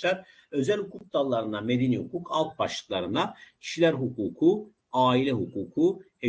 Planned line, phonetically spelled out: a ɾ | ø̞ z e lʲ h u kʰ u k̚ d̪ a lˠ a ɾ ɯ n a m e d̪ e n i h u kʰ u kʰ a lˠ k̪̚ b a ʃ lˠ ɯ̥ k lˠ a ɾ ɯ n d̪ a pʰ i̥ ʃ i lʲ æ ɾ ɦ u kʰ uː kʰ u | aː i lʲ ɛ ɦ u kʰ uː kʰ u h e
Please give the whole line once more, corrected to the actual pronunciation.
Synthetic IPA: a ɾ | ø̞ z æ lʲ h u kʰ u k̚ d̪ a lˠː a ɾ ɯ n a m e d̪ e n i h u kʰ u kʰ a lˠ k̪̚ b a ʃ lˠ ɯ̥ k lˠ a ɾ ɯ n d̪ a cʰ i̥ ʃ i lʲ æ ɾ ɦ u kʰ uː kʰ u | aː i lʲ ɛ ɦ u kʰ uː kʰ u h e